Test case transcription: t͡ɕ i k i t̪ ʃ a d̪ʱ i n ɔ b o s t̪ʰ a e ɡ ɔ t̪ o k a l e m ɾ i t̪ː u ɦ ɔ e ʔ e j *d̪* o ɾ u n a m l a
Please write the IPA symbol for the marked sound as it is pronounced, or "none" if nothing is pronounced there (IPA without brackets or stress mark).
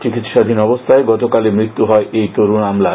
t̪